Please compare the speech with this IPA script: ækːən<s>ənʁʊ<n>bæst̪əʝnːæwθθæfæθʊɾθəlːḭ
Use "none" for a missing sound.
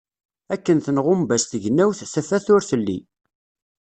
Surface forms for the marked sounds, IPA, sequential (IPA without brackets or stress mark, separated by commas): θ, m